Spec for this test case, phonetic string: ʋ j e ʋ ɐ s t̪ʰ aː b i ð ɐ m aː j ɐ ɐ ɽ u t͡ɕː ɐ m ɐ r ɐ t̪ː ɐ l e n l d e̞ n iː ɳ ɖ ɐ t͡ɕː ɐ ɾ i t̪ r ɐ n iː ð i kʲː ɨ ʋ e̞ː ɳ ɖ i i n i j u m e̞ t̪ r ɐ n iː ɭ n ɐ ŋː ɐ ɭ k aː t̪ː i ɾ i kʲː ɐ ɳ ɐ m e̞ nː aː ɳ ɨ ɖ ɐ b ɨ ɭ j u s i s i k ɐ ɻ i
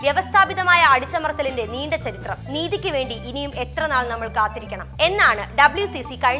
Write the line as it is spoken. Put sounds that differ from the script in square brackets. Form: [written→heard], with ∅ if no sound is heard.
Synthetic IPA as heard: ʋ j e ʋ ɐ s t̪ʰ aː b i ð ɐ m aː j ɐ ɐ ɽ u t͡ɕː ɐ m ɐ r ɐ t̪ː ɐ l [e→i] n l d e̞ n iː ɳ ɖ ɐ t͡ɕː ɐ ɾ i t̪ r ɐ n iː ð i kʲː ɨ ʋ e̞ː ɳ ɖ i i n i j u m e̞ t̪ r ɐ n [iː→aː] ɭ n ɐ [ŋː→mː] ɐ ɭ k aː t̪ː i ɾ i kʲː ɐ ɳ ɐ m e̞ nː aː ɳ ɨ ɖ ɐ b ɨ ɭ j u s i s i k ɐ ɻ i